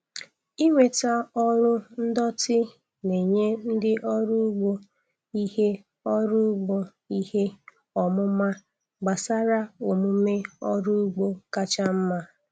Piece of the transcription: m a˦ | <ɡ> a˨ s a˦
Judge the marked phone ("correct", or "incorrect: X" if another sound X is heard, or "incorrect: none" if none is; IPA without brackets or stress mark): incorrect: ɡ͡b